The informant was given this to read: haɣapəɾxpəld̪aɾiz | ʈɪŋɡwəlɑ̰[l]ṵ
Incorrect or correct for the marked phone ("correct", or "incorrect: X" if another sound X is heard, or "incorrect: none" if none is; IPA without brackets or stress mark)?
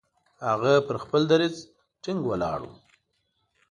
incorrect: ɽ